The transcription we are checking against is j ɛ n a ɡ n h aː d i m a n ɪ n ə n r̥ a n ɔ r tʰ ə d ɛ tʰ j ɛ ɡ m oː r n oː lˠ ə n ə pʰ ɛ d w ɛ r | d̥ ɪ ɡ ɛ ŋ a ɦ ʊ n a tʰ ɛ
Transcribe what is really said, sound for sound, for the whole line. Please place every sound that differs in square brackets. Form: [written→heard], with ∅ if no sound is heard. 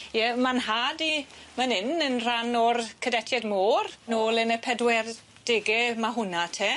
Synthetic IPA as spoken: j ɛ [n→m] a [ɡ→∅] n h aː d i m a n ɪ n ə n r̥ a n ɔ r [tʰ→kʰ] ə d ɛ tʰ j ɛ [ɡ→d] m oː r n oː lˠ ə n ə pʰ ɛ d w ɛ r | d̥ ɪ ɡ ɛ [ŋ→m] a ɦ ʊ n a tʰ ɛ